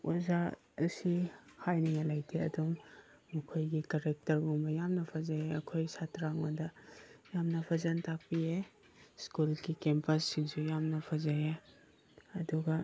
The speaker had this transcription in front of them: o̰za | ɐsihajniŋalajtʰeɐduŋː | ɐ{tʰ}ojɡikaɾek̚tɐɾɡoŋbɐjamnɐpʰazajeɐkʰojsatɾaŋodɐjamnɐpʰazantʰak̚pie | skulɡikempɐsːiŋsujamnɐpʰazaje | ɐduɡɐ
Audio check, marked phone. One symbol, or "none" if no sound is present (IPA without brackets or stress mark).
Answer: kʰ